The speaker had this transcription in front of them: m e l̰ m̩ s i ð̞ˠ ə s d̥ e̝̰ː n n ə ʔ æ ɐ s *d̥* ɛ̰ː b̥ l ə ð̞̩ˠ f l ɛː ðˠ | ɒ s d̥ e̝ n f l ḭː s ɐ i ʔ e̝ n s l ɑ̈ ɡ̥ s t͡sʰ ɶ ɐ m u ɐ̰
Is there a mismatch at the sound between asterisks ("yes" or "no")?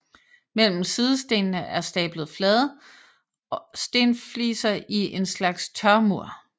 no